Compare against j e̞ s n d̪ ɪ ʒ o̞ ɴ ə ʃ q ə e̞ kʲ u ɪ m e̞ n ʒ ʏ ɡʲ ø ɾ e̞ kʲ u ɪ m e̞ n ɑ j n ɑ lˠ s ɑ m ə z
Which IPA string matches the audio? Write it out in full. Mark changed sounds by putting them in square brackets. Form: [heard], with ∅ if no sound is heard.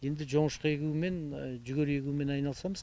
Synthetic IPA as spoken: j e̞ [∅] n d̪ ɪ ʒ o̞ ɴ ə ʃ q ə e̞ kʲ u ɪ m e̞ n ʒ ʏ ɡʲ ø ɾ e̞ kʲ u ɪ m e̞ n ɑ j n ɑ lˠ s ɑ m ə z